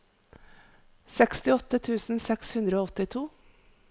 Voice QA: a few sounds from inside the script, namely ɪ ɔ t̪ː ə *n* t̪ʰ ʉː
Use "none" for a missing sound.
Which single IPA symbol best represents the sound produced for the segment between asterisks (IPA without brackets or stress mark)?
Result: none